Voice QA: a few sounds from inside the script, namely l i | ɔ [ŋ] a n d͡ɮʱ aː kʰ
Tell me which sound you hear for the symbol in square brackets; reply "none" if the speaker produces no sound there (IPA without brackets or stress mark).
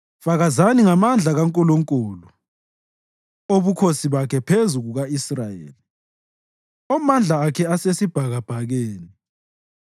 m